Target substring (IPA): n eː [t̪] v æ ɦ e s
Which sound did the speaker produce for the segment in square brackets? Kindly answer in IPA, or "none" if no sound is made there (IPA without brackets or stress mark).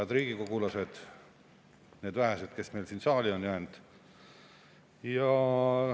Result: d̪